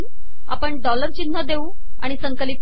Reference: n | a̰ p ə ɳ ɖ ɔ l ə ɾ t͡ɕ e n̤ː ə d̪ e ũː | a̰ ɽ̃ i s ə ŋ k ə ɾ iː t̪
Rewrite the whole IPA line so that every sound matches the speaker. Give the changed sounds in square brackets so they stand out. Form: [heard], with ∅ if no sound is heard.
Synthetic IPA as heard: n | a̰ p ə ɳ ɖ ɔ l ə ɾ t͡ɕ [i] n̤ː ə d̪ e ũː | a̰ ɽ̃ i s ə ŋ k ə [l] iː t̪